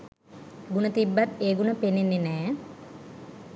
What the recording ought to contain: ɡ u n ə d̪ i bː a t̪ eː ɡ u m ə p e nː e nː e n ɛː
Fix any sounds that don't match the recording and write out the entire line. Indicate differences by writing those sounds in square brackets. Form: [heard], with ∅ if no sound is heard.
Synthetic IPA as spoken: ɡ u n ə [t̪] i bː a t̪ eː ɡ u [n] ə p e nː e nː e n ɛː